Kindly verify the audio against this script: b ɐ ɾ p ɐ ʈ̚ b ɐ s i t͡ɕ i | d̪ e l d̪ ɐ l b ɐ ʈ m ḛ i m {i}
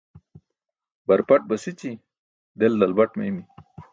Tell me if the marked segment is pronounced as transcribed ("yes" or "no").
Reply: yes